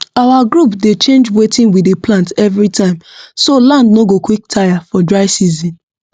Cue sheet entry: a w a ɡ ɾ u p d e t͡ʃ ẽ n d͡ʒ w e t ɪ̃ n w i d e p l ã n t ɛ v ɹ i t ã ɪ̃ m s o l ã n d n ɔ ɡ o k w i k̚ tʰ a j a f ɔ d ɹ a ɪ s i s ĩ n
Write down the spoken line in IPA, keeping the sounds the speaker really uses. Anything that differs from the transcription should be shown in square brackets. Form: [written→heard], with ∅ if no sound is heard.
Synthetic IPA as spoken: a w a ɡ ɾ u p d e t͡ʃ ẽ n d͡ʒ w e t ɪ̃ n w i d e p l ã n t ɛ v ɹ i t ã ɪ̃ m s o l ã n d n [ɔ→o] ɡ o k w i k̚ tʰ a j a f ɔ d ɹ a ɪ s i [s→z] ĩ n